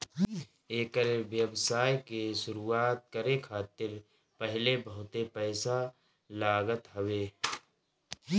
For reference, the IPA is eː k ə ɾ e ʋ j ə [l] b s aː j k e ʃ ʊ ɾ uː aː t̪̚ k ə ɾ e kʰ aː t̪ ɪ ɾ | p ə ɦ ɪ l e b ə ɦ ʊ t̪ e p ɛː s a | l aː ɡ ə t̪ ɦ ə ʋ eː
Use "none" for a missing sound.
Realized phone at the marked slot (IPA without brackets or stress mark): none